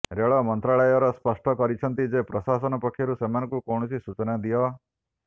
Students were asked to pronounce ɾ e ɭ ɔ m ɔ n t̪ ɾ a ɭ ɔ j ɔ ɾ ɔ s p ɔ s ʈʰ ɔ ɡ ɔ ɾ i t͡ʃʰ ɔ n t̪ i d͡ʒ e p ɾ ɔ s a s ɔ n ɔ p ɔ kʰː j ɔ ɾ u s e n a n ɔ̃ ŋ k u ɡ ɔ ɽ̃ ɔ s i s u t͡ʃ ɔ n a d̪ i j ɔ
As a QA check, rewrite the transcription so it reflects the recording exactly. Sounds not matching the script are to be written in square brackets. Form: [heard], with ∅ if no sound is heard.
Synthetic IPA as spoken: ɾ e ɭ ɔ m ɔ n t̪ ɾ a ɭ ɔ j ɔ ɾ ɔ s p ɔ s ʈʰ ɔ [k] ɔ ɾ i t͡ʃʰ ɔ n t̪ i d͡ʒ e p ɾ ɔ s a s ɔ n ɔ p ɔ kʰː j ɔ ɾ u s e [m] a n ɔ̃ ŋ k u [k] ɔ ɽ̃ ɔ s i s u t͡ʃ ɔ n a d̪ i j ɔ